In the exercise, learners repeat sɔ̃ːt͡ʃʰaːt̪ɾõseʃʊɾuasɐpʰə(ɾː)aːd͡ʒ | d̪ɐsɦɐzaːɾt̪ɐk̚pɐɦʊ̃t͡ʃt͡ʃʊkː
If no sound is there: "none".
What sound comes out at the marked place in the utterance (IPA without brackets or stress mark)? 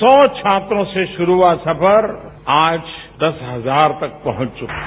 ɾ